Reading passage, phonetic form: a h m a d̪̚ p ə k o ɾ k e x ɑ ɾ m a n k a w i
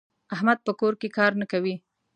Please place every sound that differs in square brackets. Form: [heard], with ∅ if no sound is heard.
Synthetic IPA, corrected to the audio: a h m a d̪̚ p ə k o ɾ k e [k] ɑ ɾ [n] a [∅] k a w i